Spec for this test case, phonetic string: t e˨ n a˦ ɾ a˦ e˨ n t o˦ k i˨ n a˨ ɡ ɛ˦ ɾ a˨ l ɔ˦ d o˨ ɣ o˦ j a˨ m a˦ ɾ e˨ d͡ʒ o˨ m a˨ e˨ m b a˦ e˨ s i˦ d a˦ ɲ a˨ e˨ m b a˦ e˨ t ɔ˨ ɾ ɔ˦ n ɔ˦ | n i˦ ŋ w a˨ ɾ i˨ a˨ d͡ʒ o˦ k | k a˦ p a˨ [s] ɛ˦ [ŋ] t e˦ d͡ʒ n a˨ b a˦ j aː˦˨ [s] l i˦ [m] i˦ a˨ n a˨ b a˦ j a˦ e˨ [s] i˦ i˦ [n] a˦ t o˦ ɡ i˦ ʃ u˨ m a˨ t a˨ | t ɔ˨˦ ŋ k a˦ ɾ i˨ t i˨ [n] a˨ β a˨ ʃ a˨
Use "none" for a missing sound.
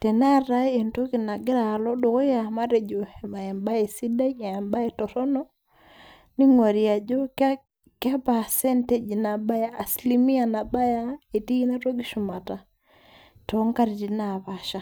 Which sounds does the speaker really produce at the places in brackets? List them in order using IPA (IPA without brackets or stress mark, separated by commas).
s, n, s, m, t, n, n